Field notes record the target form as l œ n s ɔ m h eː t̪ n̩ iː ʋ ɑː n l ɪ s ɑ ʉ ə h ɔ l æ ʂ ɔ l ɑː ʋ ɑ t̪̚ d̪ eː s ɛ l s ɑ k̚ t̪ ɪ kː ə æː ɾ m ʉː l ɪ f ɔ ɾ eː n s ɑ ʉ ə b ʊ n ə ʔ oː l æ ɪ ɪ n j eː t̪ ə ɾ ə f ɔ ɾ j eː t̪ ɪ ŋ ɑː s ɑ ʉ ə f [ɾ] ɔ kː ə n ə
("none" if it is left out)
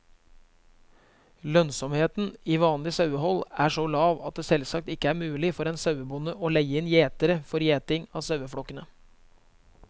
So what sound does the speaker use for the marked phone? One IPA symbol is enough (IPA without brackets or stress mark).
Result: ɽ